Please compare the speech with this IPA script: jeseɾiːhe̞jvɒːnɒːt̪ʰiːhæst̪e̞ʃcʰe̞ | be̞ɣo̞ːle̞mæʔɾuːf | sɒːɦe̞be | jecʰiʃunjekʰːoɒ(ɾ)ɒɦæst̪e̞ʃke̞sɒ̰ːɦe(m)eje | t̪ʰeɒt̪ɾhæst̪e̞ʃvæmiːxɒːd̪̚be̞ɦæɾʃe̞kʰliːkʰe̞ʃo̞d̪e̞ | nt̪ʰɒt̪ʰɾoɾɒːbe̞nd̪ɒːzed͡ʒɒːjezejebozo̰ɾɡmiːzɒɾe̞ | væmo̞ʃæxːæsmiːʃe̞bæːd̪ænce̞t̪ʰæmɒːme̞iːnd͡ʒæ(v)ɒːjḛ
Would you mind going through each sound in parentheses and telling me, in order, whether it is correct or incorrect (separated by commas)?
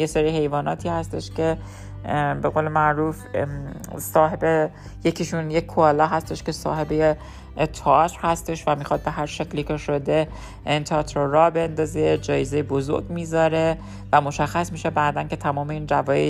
incorrect, incorrect, correct